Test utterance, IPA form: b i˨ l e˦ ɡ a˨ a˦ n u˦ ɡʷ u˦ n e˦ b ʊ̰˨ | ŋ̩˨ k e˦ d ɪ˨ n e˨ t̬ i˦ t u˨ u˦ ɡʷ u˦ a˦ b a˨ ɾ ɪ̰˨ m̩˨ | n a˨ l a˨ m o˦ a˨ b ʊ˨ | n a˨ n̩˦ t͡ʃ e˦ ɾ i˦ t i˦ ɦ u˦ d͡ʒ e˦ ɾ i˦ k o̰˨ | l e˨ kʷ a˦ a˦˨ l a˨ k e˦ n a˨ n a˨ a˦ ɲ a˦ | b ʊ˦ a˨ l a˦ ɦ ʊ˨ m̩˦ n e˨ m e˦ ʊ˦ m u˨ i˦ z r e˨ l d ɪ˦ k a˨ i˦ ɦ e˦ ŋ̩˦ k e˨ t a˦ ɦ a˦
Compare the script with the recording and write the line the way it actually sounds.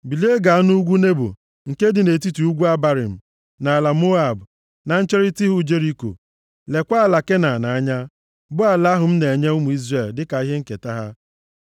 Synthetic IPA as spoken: b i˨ l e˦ ɡ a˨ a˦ n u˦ ɡʷ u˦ n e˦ b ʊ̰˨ | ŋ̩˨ k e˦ d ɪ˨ n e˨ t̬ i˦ t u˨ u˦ ɡʷ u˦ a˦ b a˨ ɾ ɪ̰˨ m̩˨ | n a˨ l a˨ m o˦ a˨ b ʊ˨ | n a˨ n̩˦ t͡ʃ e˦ ɾ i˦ t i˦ ɦ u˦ d͡ʒ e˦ ɾ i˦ k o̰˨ | l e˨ kʷ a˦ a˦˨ l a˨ k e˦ n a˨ n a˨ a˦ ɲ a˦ | b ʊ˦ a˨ l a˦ ɦ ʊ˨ m̩˦ n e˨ ɲ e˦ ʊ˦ m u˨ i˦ z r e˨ l d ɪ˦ k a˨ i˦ ɦ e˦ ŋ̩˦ k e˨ t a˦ ɦ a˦

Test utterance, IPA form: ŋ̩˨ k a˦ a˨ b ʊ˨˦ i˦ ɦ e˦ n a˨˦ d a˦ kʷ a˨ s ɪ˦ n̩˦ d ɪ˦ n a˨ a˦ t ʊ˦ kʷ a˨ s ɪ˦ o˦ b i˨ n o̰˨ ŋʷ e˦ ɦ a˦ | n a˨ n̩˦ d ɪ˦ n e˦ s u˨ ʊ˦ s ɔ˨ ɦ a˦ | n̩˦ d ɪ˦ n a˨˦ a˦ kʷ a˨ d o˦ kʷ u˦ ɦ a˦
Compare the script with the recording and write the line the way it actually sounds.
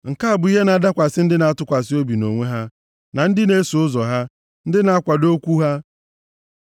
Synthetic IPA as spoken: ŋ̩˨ k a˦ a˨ b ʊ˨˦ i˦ ɦ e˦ n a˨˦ d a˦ kʷ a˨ s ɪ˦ n̩˦ d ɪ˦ n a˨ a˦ t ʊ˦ kʷ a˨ s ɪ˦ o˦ b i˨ n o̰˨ ŋʷ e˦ ɦ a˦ | n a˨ n̩˦ d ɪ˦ n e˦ s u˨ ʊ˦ z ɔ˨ ɦ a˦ | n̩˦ d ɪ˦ n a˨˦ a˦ kʷ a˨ d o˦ kʷ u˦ ɦ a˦

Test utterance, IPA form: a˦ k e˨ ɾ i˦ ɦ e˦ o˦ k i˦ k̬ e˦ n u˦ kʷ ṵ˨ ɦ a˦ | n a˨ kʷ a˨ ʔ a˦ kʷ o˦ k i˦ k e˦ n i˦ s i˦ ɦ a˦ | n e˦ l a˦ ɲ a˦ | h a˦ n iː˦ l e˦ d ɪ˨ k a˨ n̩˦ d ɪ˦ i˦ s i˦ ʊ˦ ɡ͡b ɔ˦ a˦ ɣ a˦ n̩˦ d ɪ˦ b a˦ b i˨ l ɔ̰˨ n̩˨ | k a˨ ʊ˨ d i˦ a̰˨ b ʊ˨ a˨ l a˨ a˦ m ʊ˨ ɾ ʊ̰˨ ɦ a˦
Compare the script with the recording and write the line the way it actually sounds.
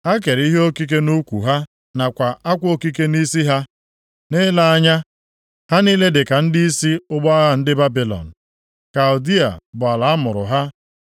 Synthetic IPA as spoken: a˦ k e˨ ɾ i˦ ɦ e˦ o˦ k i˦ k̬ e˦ n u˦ kʷ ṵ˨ ɦ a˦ | n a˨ kʷ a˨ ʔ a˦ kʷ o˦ k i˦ k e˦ n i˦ s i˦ ɦ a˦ | n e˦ l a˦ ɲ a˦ | h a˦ n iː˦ l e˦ d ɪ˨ k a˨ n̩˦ d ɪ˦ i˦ s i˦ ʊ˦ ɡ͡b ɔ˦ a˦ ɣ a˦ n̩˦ d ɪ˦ b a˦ b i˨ l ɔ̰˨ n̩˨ | k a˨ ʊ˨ d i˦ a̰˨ b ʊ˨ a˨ l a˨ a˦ m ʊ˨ ɾ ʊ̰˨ ɦ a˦

